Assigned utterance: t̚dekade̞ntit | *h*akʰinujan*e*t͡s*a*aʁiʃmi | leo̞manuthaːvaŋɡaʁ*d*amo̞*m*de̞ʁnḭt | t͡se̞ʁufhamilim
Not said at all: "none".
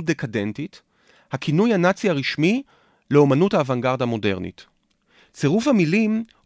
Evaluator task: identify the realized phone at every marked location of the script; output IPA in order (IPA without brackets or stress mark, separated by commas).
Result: h, a, i, d, none